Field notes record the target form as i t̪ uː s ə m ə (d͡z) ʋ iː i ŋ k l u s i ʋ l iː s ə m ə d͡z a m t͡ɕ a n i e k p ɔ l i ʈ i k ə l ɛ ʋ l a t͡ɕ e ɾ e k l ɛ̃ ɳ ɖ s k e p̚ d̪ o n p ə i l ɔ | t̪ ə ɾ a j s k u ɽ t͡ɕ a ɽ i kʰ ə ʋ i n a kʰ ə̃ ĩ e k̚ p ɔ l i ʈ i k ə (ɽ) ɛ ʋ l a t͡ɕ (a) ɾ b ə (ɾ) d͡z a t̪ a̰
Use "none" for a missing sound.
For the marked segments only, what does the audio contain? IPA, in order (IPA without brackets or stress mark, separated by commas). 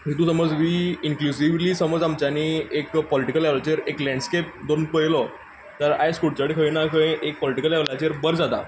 d͡z, l, e, ɾ